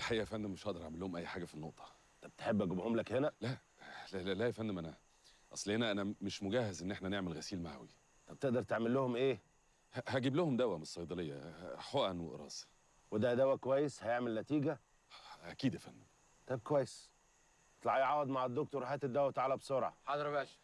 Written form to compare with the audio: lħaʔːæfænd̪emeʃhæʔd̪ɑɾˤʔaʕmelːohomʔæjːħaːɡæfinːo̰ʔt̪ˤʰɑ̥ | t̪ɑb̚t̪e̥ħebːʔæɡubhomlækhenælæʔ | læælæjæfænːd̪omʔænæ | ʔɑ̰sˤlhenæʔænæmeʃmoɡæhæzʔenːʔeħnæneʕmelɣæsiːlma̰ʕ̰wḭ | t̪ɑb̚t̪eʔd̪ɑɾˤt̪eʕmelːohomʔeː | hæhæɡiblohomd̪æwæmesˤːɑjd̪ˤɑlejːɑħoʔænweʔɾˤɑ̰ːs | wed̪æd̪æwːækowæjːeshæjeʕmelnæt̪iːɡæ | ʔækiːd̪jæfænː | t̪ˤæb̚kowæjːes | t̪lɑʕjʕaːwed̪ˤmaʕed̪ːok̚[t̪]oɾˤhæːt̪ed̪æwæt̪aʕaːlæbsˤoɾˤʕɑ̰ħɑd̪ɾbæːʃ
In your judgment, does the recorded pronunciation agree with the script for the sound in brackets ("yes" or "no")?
yes